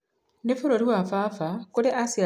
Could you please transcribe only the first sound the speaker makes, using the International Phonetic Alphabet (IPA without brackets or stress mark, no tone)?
n